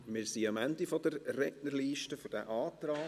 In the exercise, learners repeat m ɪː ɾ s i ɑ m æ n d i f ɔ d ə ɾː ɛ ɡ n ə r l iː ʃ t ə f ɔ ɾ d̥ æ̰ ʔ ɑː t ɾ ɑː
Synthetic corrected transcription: m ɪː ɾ s i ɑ m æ n d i f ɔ d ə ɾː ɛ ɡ n ə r l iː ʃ t ə f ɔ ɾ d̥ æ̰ ʔ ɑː t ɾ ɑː

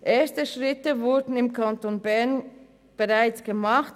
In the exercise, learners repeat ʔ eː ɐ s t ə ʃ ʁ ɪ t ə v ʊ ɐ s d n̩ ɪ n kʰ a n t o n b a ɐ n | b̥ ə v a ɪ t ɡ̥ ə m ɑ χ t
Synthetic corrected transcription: ʔ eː ɐ s t ə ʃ ʁ ɪ t ə v ʊ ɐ d n̩ ɪ m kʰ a n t o n b ɛ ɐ n | b̥ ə ʁ a ɪ t͡s ɡ̥ ə m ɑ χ t

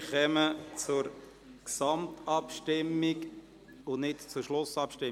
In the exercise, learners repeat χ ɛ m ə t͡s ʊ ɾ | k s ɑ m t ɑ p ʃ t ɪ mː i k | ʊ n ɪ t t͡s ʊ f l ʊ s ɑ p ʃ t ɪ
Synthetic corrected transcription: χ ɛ m ə t͡s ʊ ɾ | k s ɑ m t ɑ p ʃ t ɪ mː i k | ʊ n ɪ t t͡s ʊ ʃ l ʊ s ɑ p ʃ t ɪ

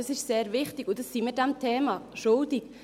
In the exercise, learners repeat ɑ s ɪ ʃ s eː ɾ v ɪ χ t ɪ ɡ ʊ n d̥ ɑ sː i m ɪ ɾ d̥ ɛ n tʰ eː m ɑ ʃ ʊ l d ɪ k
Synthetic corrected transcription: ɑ s ɪ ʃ s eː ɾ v ɪ χ t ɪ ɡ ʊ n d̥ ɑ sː i m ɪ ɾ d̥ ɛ m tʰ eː m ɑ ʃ ʊ l d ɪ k

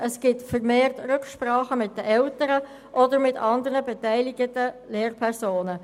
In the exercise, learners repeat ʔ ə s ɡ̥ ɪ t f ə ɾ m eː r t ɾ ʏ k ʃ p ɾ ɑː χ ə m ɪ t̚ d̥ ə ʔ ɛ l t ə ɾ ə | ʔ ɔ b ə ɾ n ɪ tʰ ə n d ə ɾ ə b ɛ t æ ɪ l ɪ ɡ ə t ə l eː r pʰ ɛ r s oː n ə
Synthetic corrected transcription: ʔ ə s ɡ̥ ɪ t f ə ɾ m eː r t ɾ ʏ k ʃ p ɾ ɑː χ ə m ɪ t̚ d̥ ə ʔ ɛ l t ə ɾ ə | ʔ ɔ d ə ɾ m ɪ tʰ ɑ n d ə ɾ ə b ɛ t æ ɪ l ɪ ɡ ə t ə l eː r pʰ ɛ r s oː n ə

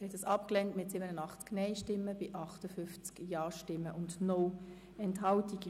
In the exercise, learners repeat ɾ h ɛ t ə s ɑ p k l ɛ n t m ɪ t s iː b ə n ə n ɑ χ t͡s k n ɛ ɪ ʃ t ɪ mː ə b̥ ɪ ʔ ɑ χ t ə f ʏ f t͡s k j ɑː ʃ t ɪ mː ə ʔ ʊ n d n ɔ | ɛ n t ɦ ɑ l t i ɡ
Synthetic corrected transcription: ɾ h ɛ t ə s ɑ p k l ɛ n t m ɪ t s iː b ə n ə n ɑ χ t͡s k n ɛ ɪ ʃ t ɪ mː ə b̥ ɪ ʔ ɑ χ t ə f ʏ f t͡s k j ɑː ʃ t ɪ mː ə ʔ ʊ n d n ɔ | ɛ n t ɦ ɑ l t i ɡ

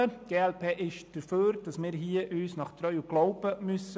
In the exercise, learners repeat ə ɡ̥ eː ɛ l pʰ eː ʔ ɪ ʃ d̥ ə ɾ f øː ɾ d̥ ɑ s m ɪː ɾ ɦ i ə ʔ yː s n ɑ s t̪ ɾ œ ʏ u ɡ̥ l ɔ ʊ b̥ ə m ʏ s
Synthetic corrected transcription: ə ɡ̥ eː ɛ l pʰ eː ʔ ɪ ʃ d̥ ə ɾ f øː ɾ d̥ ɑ s m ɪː ɾ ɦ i ə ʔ yː s n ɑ χ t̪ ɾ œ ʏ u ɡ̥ l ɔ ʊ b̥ ə m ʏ s

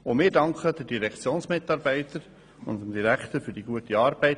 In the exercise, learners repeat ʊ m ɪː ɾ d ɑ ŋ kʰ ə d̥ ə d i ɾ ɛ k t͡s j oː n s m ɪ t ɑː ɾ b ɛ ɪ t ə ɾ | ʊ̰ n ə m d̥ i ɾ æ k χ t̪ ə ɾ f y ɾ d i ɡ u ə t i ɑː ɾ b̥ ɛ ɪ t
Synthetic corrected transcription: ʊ m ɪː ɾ d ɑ ŋ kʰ ə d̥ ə d i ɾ ɛ k t͡s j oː n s m ɪ t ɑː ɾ b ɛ ɪ t ə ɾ | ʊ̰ n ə m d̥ i ɾ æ k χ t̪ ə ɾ f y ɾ d i ɡ u ə t i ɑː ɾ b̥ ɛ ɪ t

